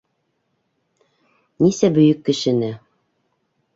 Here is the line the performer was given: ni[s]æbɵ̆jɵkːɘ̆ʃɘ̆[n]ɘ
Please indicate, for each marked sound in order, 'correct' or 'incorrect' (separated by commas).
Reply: correct, correct